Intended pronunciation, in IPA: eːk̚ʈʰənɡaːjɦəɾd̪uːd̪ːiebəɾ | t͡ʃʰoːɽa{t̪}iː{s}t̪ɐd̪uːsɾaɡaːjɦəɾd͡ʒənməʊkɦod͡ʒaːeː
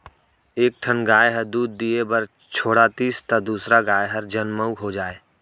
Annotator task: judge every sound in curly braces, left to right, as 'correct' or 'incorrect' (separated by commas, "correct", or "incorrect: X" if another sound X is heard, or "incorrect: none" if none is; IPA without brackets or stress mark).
correct, correct